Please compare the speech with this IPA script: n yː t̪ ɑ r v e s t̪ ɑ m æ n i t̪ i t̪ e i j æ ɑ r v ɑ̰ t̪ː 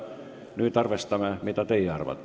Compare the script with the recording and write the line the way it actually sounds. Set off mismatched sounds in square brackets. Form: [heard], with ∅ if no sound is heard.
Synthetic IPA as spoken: n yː t̪ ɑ r [ʋ] e s t̪ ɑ m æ [m] i t̪ [æ] t̪ e i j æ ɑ r [ʋ] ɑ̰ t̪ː